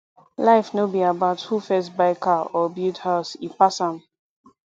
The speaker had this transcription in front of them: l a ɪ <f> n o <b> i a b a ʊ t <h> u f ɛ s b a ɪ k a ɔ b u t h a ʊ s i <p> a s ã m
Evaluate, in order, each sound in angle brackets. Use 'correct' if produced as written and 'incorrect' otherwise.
correct, correct, correct, correct

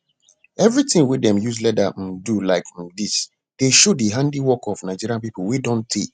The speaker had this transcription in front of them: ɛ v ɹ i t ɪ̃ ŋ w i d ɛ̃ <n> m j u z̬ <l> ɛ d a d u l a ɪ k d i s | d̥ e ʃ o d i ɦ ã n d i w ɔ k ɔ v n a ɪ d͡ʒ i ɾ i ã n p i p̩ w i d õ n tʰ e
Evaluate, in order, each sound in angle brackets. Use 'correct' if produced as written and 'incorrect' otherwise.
incorrect, correct

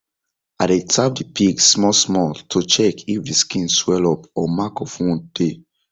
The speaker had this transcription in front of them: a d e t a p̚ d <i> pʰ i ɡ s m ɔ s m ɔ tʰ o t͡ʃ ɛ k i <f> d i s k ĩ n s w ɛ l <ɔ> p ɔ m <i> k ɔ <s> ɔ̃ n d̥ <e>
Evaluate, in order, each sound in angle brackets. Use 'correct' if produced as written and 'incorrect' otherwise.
correct, correct, correct, incorrect, incorrect, correct

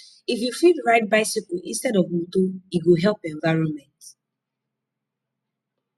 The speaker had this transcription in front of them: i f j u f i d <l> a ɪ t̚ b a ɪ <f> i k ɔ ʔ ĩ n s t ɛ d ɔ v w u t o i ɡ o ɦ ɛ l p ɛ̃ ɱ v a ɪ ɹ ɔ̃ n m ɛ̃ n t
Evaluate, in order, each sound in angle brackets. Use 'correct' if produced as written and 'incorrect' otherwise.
incorrect, incorrect

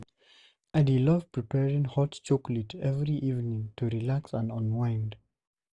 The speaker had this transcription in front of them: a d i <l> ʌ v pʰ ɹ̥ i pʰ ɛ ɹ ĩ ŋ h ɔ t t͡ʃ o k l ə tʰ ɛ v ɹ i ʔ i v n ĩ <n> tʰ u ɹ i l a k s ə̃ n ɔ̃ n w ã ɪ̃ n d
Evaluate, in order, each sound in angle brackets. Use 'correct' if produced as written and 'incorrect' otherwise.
correct, incorrect

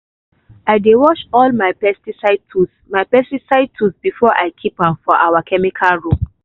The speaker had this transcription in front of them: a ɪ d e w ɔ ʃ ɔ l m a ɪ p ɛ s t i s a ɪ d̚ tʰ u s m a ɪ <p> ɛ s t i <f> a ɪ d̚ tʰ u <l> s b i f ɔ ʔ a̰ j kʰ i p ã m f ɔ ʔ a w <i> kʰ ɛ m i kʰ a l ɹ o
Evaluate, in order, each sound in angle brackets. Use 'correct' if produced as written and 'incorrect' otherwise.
correct, incorrect, incorrect, incorrect

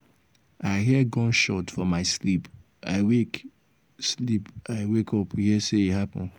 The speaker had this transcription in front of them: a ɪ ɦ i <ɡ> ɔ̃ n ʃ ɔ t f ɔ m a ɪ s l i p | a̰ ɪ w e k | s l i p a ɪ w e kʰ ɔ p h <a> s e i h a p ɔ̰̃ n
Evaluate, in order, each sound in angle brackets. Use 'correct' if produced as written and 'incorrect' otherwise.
correct, incorrect

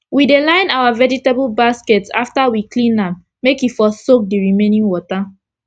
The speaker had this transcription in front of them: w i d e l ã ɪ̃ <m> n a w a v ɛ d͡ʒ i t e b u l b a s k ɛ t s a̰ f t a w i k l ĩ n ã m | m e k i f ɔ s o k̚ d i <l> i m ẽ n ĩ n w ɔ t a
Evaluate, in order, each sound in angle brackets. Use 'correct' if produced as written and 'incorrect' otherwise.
incorrect, incorrect

